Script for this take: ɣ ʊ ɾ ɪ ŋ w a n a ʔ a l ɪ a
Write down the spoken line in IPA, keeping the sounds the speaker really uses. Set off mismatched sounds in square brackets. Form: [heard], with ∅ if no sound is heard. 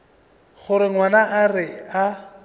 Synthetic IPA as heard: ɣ ʊ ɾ ɪ ŋ w a n a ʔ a [r] ɪ a